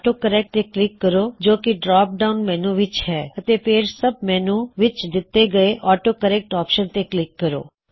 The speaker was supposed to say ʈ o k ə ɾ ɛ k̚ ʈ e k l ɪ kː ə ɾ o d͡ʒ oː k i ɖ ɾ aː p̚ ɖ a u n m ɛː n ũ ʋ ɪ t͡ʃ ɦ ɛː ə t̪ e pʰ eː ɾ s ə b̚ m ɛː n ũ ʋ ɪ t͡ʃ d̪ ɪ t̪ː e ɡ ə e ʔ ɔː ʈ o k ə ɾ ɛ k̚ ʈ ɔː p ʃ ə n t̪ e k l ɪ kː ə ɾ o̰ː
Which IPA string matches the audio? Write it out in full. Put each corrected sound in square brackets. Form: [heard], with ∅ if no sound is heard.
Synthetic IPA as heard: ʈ o k ə ɾ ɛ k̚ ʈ e k l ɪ kː ə ɾ o d͡ʒ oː k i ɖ ɾ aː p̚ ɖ a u n m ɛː n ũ ʋ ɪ t͡ʃ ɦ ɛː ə t̪ e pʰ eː ɾ s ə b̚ m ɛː n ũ ʋ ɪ t͡ʃ d̪ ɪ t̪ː e ɡ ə e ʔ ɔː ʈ o k ə ɾ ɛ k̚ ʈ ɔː p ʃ ə n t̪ e k l ɪ kː ə ɾ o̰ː